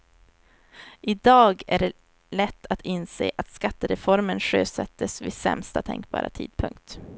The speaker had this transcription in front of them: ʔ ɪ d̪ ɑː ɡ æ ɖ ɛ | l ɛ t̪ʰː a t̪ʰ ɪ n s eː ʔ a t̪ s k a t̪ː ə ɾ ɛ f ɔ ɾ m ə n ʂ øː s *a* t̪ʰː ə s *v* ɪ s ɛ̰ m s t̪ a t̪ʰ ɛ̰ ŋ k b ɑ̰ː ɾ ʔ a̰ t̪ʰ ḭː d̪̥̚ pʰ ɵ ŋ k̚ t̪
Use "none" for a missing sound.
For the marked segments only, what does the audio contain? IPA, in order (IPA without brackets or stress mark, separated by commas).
ɛ, v